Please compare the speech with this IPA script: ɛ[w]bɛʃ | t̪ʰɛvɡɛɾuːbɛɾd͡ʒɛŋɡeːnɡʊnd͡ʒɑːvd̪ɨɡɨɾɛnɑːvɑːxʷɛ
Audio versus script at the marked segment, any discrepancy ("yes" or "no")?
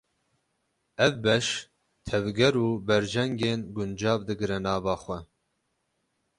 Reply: yes